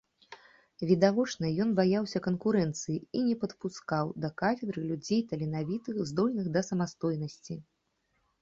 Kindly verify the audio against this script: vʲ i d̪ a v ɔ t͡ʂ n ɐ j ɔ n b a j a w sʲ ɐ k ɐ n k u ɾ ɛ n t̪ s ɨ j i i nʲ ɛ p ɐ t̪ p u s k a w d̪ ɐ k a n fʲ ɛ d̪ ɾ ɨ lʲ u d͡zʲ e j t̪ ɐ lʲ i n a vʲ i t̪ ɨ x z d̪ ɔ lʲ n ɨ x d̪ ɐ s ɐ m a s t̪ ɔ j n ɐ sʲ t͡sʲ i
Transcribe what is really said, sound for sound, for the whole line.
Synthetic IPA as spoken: vʲ i d̪ a v ɔ t͡ʂ n ɐ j ɔ n b a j a w sʲ ɐ k ɐ n k u ɾ ɛ n t̪ s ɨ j i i nʲ ɛ p ɐ t̪ p u s k a w d̪ ɐ k a fʲ ɛ d̪ ɾ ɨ lʲ u d͡zʲ e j t̪ ɐ lʲ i n a vʲ i t̪ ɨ x z d̪ ɔ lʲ n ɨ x d̪ ɐ s ɐ m a s t̪ ɔ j n ɐ sʲ t͡sʲ i